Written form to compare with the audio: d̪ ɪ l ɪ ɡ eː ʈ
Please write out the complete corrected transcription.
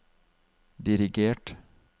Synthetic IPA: d̪ ɪ ɾ ɪ ɡ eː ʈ